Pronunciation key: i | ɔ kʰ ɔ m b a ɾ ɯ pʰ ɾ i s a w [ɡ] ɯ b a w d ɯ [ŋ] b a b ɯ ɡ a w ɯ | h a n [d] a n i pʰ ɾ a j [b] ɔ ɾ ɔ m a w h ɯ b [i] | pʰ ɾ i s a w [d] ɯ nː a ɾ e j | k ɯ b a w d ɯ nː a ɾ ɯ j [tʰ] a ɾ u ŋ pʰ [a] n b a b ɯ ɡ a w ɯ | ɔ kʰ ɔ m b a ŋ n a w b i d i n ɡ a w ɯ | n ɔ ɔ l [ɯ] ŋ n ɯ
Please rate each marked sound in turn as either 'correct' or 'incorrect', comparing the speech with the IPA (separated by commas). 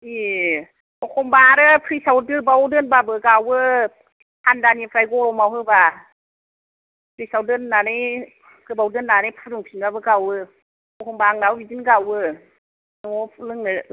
incorrect, incorrect, correct, incorrect, incorrect, correct, incorrect, incorrect, correct